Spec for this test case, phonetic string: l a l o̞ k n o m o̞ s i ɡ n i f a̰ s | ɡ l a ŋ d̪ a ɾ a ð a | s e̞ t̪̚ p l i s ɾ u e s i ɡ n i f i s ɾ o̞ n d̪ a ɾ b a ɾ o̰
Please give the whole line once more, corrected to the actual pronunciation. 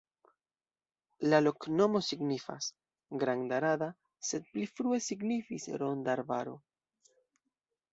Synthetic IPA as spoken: l a l o̞ k n o m o̞ s i ɡ n i f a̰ s | ɡ ɾ a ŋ d̪ a ɾ a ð a | s e̞ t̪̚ p l i f ɾ u e s i ɡ n i f i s ɾ o̞ n d̪ a ɾ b a ɾ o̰

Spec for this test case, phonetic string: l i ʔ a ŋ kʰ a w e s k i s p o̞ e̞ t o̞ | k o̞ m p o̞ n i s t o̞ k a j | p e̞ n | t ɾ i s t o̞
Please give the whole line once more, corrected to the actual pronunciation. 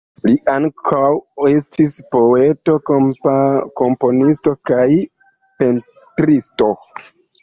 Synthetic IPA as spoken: l i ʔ a ŋ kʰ a w e s t i s p o̞ e̞ t o̞ | k o̞ m p o̞ n i s t o̞ k a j | p e̞ n | t ɾ i s t o̞

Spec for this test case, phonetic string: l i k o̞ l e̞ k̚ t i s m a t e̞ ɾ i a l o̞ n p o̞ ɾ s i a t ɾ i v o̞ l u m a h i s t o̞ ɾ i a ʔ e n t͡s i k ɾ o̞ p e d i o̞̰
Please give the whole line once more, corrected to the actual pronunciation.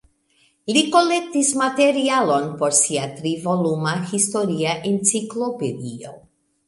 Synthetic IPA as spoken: l i k o̞ l e̞ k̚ t i s m a t e̞ ɾ i a l o̞ n p o̞ ɾ s i a t ɾ i v o̞ l u m a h i s t o̞ ɾ i a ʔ e n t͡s i k l o̞ p e d i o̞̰

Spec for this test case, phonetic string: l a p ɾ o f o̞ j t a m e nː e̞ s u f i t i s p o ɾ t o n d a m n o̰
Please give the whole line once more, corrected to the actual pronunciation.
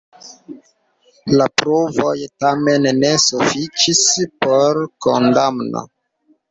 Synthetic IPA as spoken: l a p ɾ o v o̞ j t a m e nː e̞ s u f i t͡ʃ i s p o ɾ k o n d a m n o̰

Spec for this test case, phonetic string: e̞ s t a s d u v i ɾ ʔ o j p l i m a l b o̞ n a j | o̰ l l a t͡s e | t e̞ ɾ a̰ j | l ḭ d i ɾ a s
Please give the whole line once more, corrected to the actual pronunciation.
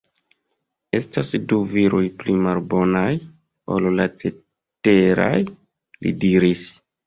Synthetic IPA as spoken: e̞ s t a s d u v i ɾ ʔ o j p l i m a l b o̞ n a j | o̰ l l a t͡s e | t e̞ ɾ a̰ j | l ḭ d i ɾ i s

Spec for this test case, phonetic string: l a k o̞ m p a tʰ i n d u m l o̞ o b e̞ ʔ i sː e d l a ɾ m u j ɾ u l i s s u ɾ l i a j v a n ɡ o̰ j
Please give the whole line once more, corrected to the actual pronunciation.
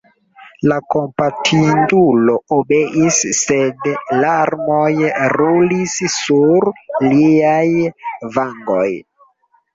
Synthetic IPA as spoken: l a k o̞ m p a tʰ i n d u l o̞ o b e̞ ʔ i sː e d l a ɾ m o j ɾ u l i s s u ɾ l i a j v a ŋ ɡ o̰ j

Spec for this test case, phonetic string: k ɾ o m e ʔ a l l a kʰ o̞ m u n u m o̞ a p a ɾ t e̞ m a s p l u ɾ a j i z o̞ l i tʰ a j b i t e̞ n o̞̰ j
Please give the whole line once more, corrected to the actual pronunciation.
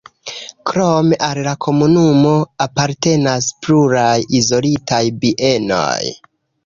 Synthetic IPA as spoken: k ɾ o m e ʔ a l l a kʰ o̞ m u n u m o̞ a p a ɾ t e̞ n a s p l u ɾ a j i z o̞ l i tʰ a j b i ʔ e̞ n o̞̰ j

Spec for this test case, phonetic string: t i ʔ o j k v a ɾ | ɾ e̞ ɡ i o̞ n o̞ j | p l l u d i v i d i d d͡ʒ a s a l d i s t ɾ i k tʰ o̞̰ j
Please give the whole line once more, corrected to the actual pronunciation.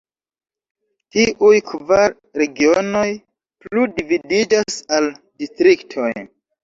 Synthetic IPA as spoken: t i ʔ u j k v a ɾ | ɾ e̞ ɡ i o̞ n o̞ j | p l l u d i v i d i d͡ʒ a s a l d i s t ɾ i k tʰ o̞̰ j

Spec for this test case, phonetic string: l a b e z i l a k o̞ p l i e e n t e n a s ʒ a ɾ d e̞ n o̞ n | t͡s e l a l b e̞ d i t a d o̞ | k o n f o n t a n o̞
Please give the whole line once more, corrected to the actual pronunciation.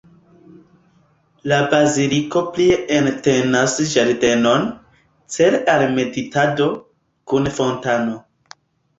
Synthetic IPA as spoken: l a b a z i l i k o̞ p l i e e n t e n a s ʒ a ɾ d e̞ n o̞ n | t͡s e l a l m e̞ d i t a d o̞ | k u n f o n t a n o̞

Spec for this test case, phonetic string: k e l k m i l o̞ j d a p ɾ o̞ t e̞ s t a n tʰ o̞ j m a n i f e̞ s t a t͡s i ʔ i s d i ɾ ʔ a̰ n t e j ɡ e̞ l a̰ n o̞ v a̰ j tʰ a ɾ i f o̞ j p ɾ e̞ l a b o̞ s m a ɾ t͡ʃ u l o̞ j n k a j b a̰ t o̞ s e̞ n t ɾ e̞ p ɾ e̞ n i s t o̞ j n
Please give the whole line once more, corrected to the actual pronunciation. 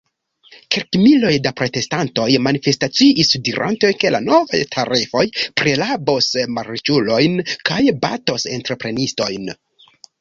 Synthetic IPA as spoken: k e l k m i l o̞ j d a p ɾ o̞ t e̞ s t a n t o̞ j m a n i f e̞ s t a t͡s i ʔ i s d i ɾ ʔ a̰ n t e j k e̞ l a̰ n o̞ v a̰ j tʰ a ɾ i f o̞ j p ɾ e̞ l a b o̞ s m a ɾ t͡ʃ u l o̞ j n k a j b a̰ t o̞ s e̞ n t ɾ e̞ p ɾ e̞ n i s t o̞ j n

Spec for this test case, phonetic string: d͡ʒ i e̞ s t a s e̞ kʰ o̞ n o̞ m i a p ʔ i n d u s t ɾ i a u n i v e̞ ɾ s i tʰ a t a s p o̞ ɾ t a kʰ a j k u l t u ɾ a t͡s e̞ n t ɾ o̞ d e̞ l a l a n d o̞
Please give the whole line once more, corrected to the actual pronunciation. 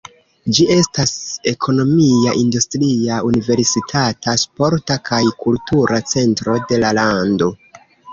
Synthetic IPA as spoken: d͡ʒ i e̞ s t a s e̞ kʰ o̞ n o̞ m i a ʔ i n d u s t ɾ i a u n i v e̞ ɾ s i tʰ a t a s p o̞ ɾ t a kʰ a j k u l t u ɾ a t͡s e̞ n t ɾ o̞ d e̞ l a l a n d o̞

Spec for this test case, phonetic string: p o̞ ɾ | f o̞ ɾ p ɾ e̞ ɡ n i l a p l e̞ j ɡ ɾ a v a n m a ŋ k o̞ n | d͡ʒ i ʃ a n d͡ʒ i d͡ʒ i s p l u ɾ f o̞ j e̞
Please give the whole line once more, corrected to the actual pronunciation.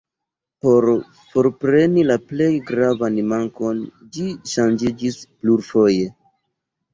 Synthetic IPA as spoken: p o̞ ɾ | f o̞ ɾ p ɾ e̞ n i l a p l e̞ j ɡ ɾ a v a n m a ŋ k o̞ n | d͡ʒ i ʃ a n d͡ʒ i d͡ʒ i s p l u ɾ f o̞ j e̞

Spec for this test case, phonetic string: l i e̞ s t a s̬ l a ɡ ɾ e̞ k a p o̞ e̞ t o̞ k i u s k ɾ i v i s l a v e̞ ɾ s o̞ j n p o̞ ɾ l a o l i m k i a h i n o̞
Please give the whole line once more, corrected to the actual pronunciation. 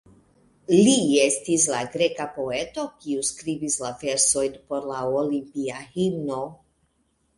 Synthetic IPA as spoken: l i e̞ s t i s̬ l a ɡ ɾ e̞ k a p o̞ e̞ t o̞ k i u s k ɾ i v i s l a v e̞ ɾ s o̞ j n p o̞ ɾ l a o l i m p i a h i n o̞

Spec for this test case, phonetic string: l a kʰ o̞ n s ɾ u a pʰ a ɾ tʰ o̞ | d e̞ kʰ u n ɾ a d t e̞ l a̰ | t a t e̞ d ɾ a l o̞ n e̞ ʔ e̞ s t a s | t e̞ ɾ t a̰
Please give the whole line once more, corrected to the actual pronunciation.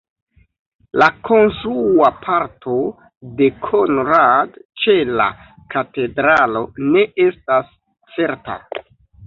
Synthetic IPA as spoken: l a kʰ o̞ n s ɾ u a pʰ a ɾ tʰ o̞ | d e̞ kʰ o n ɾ a d t͡ʃ e̞ l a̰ | k a t e̞ d ɾ a l o̞ n e̞ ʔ e̞ s t a s | t͡s e̞ ɾ t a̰

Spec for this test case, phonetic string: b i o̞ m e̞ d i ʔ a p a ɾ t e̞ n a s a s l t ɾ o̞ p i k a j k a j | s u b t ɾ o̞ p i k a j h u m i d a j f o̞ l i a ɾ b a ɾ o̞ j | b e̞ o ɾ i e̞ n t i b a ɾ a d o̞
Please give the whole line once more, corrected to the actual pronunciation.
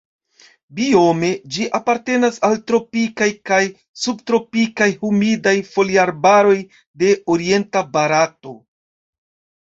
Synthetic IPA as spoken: b i o̞ m e̞ d͡ʒ i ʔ a p a ɾ t e̞ n a s a l t ɾ o̞ p i k a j k a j | s u b t ɾ o̞ p i k a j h u m i d a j f o̞ l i a ɾ b a ɾ o̞ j | d e̞ o ɾ i e̞ n t a b a ɾ a t o̞

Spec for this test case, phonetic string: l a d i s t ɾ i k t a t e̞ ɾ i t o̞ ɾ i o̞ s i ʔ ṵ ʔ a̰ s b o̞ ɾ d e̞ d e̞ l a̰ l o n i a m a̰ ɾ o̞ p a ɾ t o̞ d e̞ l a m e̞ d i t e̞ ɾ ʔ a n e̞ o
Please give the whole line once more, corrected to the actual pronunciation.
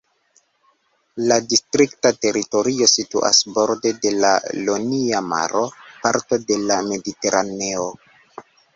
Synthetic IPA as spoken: l a d i s t ɾ i k t a t e̞ ɾ i t o̞ ɾ i o̞ s i t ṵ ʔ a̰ s b o̞ ɾ d e̞ d e̞ l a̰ l o n i a m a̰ ɾ o̞ p a ɾ t o̞ d e̞ l a m e̞ d i t e̞ ɾ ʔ a n e̞ o

